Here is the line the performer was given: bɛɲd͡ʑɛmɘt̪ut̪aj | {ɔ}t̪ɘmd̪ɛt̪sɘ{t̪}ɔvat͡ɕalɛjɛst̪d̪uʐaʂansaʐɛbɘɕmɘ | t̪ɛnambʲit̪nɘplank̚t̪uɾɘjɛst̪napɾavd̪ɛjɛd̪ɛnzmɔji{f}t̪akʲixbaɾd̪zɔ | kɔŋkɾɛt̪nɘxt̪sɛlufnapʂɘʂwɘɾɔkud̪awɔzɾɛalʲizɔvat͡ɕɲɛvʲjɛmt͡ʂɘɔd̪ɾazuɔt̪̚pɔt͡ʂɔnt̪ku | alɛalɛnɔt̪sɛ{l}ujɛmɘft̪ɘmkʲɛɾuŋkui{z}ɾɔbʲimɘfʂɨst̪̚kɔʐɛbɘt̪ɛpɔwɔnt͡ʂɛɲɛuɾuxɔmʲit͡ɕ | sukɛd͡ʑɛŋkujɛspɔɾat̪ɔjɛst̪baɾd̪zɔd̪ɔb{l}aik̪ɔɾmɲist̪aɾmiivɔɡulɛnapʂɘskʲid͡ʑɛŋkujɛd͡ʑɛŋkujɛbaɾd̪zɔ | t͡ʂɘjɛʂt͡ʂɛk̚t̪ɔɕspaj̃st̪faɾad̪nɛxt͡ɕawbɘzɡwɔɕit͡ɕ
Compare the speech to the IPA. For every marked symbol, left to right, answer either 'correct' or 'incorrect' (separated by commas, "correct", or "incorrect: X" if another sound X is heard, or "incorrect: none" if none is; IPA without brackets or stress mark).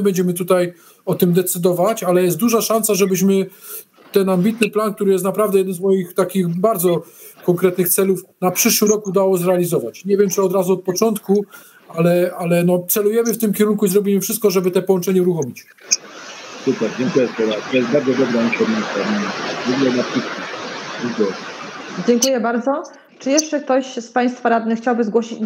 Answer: correct, incorrect: d̪, incorrect: x, correct, correct, incorrect: ɾ